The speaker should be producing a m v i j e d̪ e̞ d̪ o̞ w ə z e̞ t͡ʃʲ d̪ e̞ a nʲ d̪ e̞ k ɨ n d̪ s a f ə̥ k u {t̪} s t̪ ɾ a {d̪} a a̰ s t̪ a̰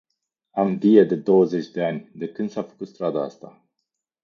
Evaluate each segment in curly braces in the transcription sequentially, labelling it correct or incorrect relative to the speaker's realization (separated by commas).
correct, correct